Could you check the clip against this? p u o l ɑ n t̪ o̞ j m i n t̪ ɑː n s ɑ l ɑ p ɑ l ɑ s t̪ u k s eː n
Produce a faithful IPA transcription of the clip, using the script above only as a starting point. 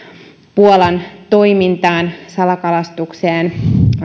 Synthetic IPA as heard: p u o l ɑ n t̪ o̞ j m i n t̪ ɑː n s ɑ l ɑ k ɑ l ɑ s t̪ u k s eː n